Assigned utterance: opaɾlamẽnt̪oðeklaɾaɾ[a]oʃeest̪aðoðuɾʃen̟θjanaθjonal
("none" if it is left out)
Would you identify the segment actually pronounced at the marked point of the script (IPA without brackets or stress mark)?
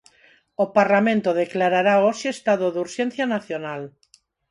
a